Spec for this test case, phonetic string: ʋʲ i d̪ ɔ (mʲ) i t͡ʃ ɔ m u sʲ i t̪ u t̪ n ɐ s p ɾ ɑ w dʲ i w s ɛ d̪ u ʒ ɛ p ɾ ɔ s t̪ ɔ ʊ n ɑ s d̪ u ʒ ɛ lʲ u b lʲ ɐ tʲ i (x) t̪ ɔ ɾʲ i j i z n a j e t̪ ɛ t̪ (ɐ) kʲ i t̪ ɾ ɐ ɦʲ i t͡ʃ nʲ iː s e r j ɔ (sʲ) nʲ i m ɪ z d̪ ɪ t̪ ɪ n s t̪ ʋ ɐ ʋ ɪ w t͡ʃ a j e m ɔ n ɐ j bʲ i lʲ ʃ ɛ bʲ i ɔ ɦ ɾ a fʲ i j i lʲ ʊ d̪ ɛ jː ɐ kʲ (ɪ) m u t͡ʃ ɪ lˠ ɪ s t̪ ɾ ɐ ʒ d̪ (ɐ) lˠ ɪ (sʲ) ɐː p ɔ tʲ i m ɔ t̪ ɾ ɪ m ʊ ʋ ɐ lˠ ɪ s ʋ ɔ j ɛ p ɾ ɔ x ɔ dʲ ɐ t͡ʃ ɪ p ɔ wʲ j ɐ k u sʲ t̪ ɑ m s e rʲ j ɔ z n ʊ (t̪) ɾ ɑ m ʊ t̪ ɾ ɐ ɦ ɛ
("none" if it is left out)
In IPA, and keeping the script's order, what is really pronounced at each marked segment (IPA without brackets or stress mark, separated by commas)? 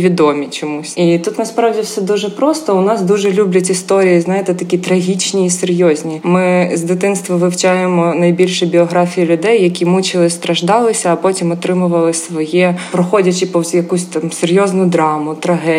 mʲ, s, ɐ, zʲ, i, ɑ, sʲ, d̪